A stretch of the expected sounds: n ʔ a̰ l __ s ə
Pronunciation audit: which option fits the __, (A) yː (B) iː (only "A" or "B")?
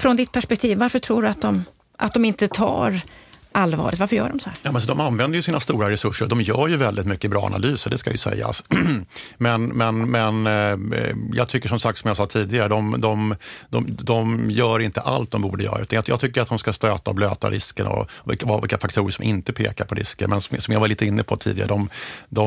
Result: A